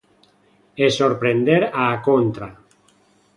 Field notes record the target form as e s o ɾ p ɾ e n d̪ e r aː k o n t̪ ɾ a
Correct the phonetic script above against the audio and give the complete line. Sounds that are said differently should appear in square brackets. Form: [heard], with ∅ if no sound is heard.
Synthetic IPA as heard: e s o ɾ p ɾ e n d̪ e [ɾ] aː k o n t̪ ɾ a